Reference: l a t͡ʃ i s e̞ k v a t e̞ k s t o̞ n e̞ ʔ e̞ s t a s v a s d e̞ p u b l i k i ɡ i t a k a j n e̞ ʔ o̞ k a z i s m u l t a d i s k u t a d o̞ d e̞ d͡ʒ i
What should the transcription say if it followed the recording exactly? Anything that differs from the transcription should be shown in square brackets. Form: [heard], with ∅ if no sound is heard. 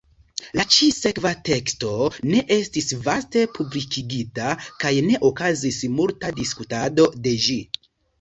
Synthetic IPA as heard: l a t͡ʃ i s e̞ k v a t e̞ k s t o̞ n e̞ ʔ e̞ s t [i] s v a s [t] e̞ p u b l i k i ɡ i t a k a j n e̞ ʔ o̞ k a z i s m u l t a d i s k u t a d o̞ d e̞ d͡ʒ i